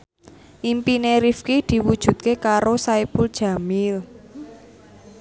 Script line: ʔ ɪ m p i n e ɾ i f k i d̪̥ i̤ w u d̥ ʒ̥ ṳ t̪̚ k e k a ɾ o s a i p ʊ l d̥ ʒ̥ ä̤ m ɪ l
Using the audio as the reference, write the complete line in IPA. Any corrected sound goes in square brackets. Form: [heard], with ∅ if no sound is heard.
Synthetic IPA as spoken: ʔ [i] m p i n e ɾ i f k i d̪̥ i̤ w u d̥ ʒ̥ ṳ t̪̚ k e k a ɾ o s a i p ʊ l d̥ ʒ̥ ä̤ m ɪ l